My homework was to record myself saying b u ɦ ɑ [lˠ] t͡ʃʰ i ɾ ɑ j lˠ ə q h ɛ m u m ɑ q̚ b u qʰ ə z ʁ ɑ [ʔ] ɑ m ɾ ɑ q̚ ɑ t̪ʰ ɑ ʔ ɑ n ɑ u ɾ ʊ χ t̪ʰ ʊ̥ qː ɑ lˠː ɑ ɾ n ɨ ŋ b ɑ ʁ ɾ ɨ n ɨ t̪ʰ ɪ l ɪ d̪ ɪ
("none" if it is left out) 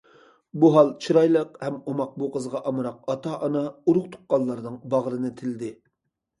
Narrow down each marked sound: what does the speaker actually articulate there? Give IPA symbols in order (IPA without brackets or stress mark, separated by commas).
lˠ, ʔ